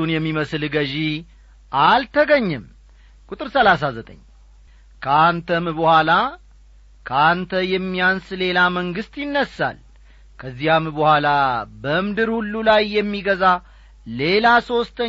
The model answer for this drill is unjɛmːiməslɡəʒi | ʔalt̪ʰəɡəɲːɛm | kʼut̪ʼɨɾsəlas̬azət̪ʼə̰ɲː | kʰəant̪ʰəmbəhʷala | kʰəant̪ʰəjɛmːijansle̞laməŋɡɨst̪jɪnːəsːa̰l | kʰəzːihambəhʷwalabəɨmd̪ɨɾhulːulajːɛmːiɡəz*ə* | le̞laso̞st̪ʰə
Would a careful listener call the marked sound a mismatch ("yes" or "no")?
yes